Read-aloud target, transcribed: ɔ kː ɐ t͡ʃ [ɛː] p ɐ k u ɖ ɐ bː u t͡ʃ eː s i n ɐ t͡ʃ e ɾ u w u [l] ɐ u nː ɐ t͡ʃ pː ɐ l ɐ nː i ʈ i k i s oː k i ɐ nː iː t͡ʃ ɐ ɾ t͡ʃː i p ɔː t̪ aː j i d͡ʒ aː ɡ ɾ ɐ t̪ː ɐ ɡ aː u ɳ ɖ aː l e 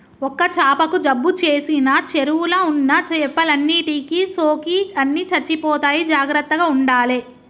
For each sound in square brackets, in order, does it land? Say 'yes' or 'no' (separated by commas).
no, yes